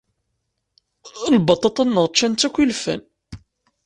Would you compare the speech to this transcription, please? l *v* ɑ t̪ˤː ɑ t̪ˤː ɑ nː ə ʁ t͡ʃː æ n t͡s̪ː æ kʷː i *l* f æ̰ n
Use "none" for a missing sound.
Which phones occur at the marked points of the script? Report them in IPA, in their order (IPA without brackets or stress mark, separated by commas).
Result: b, l